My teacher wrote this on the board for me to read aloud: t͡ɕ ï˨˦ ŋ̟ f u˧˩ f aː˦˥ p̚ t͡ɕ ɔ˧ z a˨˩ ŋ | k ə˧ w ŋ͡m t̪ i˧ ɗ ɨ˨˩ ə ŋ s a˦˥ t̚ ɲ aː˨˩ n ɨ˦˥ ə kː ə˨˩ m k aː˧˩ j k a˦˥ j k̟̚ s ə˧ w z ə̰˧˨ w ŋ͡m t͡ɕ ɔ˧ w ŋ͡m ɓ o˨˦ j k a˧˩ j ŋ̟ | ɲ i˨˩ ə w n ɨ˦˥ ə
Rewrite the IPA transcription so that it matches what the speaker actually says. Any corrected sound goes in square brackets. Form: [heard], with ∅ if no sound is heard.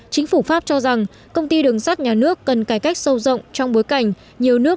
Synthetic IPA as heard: t͡ɕ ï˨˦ ŋ̟ f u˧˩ f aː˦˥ p̚ t͡ɕ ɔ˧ z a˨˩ ŋ | k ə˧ w ŋ͡m t̪ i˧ ɗ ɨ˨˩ ə ŋ s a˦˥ t̚ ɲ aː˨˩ n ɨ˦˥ ə kː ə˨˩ [n] k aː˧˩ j k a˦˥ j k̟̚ s ə˧ w z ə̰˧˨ w ŋ͡m t͡ɕ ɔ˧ w ŋ͡m ɓ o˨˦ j k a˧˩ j ŋ̟ | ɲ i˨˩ ə w n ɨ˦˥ ə